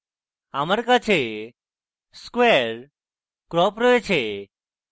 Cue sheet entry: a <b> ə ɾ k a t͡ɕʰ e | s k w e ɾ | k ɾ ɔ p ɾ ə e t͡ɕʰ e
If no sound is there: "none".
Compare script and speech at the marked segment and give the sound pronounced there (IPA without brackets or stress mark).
m